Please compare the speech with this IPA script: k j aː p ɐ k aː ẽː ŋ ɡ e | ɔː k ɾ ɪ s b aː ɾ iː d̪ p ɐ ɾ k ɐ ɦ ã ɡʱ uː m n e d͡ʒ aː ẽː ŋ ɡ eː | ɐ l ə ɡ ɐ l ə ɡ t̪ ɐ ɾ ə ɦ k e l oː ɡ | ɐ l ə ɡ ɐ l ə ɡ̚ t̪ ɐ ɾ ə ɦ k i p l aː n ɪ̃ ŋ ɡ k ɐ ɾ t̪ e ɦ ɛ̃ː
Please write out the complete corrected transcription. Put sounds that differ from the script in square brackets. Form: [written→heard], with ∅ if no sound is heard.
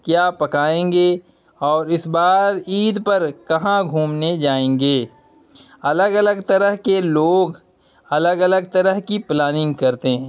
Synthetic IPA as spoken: k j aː p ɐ k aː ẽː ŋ ɡ e | ɔː [k→∅] ɾ ɪ s b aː ɾ iː d̪ p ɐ ɾ k ɐ ɦ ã ɡʱ uː m n e d͡ʒ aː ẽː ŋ ɡ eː | ɐ l ə ɡ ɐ l ə ɡ t̪ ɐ ɾ ə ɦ k e l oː ɡ | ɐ l ə ɡ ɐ l ə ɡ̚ t̪ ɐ ɾ ə ɦ k i p l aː n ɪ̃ ŋ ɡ k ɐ ɾ t̪ e ɦ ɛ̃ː